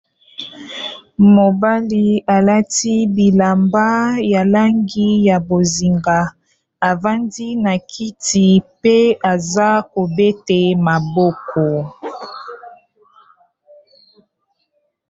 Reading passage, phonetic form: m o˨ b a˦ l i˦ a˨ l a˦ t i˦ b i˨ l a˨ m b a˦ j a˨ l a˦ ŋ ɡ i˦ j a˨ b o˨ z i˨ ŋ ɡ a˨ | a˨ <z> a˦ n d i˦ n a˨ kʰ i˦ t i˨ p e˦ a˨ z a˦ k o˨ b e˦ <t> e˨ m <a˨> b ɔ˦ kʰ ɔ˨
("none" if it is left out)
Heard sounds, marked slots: v, t, a˨

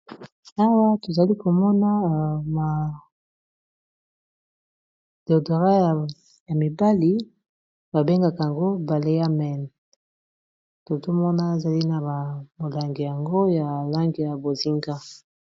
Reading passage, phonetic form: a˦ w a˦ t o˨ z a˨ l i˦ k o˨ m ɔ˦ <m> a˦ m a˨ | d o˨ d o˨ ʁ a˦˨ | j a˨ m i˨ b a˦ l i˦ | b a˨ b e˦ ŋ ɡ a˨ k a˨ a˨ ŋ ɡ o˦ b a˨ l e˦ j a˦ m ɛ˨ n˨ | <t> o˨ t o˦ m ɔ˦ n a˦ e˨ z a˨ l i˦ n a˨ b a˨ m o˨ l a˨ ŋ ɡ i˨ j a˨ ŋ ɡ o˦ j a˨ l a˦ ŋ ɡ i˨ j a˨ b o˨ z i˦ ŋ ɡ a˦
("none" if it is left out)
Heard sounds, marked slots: n, t

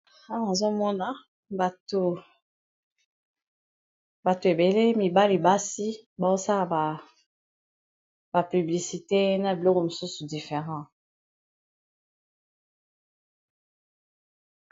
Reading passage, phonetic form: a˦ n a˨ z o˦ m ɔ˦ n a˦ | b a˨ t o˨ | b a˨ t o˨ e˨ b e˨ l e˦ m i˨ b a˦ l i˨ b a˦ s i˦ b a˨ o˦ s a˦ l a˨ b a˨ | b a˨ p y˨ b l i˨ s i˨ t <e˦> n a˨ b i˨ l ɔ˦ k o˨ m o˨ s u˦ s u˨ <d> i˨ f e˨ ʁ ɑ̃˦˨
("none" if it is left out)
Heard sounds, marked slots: e˦, d

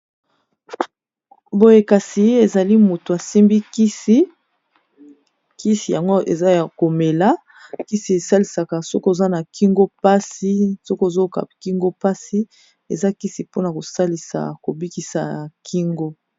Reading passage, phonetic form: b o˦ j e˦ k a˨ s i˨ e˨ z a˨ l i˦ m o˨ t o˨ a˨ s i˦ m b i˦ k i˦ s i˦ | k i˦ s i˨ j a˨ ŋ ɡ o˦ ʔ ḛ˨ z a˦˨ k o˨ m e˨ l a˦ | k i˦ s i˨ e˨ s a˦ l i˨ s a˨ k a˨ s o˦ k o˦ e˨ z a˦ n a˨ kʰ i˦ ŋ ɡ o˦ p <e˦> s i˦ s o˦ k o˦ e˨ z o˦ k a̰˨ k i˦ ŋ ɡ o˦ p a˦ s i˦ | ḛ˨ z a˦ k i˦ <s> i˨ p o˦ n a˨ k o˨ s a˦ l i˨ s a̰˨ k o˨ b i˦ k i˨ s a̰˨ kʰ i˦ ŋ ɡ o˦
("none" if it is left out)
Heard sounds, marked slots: a˦, s

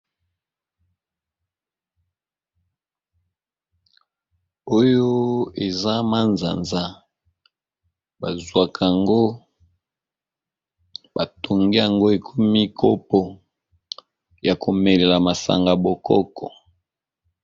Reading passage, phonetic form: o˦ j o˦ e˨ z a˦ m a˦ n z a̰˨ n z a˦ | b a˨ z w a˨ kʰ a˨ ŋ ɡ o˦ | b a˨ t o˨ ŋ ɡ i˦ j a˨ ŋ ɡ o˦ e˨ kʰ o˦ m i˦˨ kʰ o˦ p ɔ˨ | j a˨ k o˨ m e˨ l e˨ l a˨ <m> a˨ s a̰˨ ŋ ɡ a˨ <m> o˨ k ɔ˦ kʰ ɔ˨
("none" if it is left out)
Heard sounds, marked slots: m, b

